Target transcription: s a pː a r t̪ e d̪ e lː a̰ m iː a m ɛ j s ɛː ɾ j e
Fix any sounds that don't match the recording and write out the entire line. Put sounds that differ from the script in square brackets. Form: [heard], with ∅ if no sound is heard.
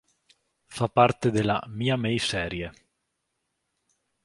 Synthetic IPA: [f] a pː a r t̪ e d̪ e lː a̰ m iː a m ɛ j s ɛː ɾ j e